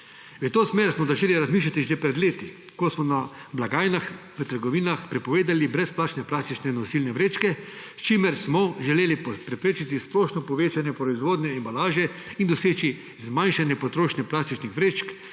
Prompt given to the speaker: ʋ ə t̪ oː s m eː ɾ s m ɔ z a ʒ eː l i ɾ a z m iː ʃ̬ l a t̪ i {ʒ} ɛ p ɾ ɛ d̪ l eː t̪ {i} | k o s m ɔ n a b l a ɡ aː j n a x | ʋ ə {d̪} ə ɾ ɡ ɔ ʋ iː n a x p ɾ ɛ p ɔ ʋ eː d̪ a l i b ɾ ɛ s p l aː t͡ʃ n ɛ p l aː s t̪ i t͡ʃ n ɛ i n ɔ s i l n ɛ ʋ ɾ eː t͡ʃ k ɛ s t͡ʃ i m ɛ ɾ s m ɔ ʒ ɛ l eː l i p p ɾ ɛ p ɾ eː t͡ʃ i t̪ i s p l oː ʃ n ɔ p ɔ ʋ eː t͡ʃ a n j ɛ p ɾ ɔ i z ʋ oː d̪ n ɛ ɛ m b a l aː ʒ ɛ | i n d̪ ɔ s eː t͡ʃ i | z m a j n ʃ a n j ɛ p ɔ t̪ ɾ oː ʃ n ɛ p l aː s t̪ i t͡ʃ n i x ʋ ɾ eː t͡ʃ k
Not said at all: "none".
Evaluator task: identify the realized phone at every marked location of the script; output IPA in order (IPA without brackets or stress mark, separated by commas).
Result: ʒ, i, t̪